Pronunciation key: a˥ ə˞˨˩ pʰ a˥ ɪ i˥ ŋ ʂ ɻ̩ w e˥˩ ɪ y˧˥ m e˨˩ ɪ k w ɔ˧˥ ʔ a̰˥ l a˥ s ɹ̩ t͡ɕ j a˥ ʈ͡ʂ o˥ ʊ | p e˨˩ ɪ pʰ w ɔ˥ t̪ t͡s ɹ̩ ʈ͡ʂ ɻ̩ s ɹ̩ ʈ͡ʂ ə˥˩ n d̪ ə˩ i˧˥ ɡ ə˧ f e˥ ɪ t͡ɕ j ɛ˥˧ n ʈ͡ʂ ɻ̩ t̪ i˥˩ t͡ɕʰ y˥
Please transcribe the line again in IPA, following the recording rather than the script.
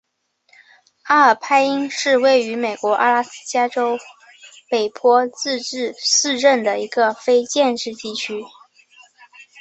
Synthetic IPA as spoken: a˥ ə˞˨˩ pʰ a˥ ɪ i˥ ŋ ʂ ɻ̩ w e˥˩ ɪ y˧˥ m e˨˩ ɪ k w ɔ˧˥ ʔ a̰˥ l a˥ s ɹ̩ t͡ɕ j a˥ ʈ͡ʂ o˥ ʊ | p e˨˩ ɪ pʰ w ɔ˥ t͡s ɹ̩ ʈ͡ʂ ɻ̩ s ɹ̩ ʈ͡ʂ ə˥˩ n d̪ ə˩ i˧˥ ɡ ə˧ f e˥ ɪ t͡ɕ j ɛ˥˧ n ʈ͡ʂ ɻ̩ t̪ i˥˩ t͡ɕʰ y˥

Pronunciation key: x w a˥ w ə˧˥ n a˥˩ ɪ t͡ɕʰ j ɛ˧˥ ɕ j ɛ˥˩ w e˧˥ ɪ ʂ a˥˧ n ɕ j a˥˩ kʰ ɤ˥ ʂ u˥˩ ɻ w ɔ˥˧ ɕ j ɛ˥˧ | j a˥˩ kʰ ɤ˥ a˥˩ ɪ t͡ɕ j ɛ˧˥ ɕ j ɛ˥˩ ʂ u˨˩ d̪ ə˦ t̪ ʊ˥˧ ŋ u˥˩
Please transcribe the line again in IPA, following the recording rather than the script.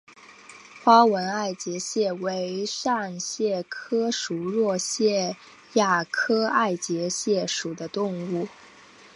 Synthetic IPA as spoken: x w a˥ w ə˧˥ n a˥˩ ɪ t͡ɕ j ɛ˧˥ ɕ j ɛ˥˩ w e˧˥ ɪ ʂ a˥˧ n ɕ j ɛ˥˩ kʰ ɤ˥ ʂ u˨˩ ɻ w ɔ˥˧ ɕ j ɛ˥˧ | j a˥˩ kʰ ɤ˥ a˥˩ ɪ t͡ɕ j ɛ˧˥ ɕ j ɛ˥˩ ʂ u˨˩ d̪ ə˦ t̪ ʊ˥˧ ŋ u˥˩

